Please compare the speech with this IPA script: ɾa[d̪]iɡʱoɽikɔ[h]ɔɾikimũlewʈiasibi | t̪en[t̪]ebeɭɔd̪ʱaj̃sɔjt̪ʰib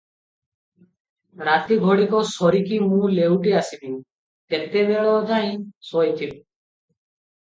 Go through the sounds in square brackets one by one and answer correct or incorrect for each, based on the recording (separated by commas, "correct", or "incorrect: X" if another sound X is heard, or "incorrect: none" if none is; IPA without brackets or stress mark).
incorrect: t̪, incorrect: s, correct